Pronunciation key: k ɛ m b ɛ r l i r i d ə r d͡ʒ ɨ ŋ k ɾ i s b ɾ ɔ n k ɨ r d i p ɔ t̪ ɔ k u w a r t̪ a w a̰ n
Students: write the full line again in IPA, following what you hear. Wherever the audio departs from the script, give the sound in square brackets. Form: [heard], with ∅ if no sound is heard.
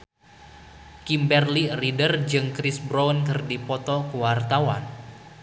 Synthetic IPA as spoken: k [i] m b ɛ r l i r i d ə r d͡ʒ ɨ ŋ k ɾ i s b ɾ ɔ n k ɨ r d i p ɔ t̪ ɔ k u w a r t̪ a w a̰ n

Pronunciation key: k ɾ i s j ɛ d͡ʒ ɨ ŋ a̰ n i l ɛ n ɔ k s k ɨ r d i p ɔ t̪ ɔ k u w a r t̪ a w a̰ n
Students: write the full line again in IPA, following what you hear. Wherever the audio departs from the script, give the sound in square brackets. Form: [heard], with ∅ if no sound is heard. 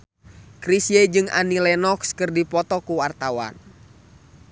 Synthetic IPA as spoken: k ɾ i s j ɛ d͡ʒ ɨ ŋ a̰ n i l ɛ n ɔ k s k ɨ r d i p ɔ t̪ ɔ k u w a r t̪ a w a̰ n

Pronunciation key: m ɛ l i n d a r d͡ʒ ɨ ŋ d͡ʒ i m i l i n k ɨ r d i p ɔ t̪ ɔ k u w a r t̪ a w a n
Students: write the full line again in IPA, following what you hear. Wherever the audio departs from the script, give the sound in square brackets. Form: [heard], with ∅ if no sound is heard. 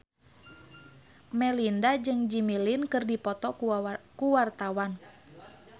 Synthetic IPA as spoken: m ɛ l i n d a [∅] d͡ʒ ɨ ŋ d͡ʒ i m i l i n k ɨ r d i p ɔ t̪ ɔ k u w a r t̪ a w a n

